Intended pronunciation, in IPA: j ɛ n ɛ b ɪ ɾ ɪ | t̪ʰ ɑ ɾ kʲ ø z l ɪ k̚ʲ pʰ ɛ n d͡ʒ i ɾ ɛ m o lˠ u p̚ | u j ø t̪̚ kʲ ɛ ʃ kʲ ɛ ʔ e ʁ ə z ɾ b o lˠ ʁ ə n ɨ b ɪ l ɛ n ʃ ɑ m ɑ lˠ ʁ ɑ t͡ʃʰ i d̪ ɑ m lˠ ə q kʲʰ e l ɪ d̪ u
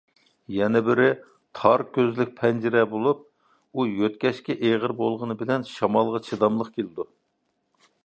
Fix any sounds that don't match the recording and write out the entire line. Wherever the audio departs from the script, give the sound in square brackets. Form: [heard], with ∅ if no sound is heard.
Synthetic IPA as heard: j ɛ n ɛ b ɪ ɾ ɪ | t̪ʰ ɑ ɾ kʲ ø z l ɪ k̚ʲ pʰ ɛ n d͡ʒ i ɾ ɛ [b] o lˠ u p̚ | u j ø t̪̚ kʲ ɛ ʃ kʲ ɛ ʔ e ʁ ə [∅] ɾ b o lˠ ʁ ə n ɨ b ɪ l ɛ n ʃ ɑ m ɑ lˠ ʁ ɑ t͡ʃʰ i d̪ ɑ m lˠ ə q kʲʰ e l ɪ d̪ u